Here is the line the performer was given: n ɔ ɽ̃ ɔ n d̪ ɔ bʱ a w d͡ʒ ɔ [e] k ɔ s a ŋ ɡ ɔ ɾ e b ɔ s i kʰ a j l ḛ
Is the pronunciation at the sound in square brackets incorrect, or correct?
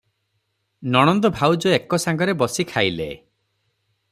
correct